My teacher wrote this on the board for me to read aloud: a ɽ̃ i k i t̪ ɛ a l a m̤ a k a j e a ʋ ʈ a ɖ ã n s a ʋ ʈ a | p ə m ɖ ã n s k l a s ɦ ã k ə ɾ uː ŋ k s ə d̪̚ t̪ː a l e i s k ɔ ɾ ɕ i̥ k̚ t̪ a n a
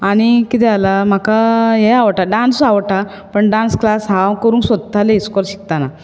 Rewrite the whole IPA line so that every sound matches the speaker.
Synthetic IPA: a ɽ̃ i k i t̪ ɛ a l a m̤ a k a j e a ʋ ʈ a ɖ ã n s a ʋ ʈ a | p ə ɳ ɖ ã n s k l a s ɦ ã k ə ɾ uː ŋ k s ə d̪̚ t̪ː a l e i s k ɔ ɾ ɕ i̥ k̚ t̪ a n a